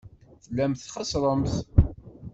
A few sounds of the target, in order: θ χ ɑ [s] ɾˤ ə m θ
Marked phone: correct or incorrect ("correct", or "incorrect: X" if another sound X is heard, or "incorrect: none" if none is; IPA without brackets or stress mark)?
correct